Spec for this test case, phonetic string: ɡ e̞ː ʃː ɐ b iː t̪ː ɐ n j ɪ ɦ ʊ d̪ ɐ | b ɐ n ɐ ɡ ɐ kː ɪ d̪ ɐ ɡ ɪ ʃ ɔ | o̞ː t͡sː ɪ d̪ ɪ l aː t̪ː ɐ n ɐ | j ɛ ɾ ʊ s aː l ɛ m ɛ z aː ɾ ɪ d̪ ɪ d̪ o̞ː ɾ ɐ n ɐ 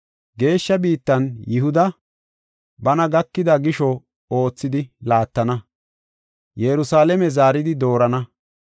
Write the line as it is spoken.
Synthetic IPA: ɡ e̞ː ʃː ɐ b iː t̪ː ɐ n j ɪ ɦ ʊ d̪ ɐ | b ɐ n ɐ ɡ ɐ kː ɪ d̪ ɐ ɡ ɪ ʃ ɔ | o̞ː t͡sː ɪ d̪ ɪ l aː t̪ː ɐ n ɐ | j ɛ ɾ ʊ s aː l ɛ m ɛ z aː ɾ ɪ d̪ ɪ d̪ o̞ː ɾ ɐ n ɐ